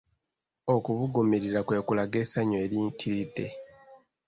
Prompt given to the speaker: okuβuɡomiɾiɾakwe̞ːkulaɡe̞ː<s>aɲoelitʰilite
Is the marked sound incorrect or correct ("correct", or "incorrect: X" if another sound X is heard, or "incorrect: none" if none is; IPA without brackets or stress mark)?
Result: correct